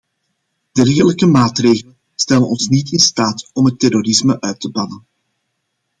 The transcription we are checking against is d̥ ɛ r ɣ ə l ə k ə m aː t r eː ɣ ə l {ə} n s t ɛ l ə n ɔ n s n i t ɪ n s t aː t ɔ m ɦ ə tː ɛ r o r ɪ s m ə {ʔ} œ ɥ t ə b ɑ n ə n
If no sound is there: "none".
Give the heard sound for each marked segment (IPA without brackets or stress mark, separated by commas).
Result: ə, ʔ